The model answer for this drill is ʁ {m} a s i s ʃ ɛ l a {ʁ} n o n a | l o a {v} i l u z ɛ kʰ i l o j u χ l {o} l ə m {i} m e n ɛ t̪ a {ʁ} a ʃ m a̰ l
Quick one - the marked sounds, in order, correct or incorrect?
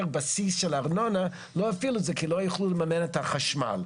incorrect: b, correct, incorrect: f, incorrect: u, incorrect: a, incorrect: χ

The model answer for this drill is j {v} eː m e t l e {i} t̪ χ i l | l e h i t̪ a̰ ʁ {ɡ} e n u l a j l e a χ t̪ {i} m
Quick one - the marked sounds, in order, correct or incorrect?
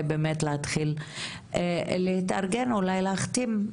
incorrect: b, incorrect: a, correct, correct

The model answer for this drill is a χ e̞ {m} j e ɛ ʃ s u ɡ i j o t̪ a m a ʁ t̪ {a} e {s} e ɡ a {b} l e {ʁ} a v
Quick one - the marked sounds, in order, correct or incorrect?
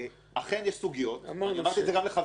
incorrect: n, incorrect: i, incorrect: z, incorrect: m, incorrect: χ

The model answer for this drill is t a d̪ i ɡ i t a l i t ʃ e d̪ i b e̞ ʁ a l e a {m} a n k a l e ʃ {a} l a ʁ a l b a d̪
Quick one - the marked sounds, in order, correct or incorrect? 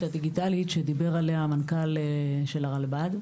correct, incorrect: e

